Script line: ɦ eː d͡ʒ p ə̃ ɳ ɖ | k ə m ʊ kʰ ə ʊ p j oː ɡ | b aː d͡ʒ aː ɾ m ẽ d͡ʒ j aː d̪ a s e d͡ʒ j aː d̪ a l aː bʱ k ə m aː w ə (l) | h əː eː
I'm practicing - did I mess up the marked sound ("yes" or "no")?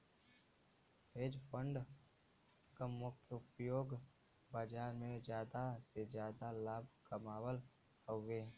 no